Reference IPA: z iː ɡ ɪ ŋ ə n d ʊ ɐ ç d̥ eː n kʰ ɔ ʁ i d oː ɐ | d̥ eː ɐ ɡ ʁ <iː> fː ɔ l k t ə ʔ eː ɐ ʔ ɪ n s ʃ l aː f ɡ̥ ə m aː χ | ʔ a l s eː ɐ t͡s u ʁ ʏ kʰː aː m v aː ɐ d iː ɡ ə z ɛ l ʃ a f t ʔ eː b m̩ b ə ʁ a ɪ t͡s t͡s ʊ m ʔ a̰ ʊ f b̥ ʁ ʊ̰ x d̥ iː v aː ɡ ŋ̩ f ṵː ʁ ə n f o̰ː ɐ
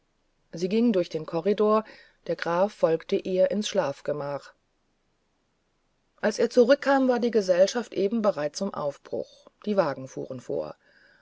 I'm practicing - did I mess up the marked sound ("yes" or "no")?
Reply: yes